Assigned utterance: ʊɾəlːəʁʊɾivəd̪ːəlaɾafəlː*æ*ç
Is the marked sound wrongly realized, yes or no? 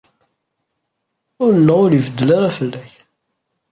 no